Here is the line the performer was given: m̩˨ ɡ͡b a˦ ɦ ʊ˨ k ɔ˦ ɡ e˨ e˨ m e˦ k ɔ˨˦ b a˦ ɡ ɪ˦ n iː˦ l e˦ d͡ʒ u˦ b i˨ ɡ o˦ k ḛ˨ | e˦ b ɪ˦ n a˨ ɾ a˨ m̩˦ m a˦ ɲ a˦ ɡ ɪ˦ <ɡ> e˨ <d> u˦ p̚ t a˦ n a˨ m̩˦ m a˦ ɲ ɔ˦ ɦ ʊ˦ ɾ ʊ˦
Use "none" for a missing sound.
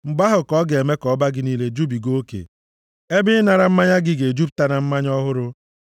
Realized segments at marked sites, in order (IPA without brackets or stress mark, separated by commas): ɡ, d͡ʒ